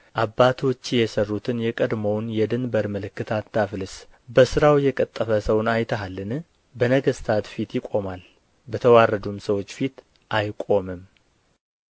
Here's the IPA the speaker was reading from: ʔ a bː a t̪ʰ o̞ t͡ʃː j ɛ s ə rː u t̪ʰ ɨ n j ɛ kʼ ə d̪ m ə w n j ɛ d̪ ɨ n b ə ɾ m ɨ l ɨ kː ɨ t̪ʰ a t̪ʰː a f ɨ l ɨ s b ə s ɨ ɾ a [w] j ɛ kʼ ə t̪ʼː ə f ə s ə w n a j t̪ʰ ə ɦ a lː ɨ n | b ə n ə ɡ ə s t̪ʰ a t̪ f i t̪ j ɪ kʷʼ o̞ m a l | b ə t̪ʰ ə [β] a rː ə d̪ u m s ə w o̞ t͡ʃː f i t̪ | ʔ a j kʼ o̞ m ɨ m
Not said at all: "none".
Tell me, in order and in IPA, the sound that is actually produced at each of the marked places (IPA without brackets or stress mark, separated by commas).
w, w